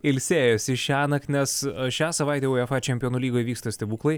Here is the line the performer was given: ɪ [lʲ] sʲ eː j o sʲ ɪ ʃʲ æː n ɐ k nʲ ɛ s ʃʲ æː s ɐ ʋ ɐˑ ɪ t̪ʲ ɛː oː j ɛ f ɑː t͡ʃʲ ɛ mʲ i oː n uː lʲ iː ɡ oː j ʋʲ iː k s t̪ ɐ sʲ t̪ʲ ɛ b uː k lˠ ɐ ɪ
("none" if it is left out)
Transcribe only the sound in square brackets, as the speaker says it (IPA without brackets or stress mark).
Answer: lʲ